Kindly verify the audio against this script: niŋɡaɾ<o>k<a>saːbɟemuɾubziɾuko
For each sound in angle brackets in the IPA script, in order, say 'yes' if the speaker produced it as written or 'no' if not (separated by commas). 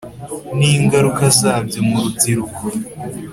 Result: no, yes